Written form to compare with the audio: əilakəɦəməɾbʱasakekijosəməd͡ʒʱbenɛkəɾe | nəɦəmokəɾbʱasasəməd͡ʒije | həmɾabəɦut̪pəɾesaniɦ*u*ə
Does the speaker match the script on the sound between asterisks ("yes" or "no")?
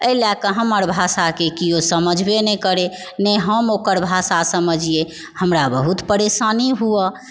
yes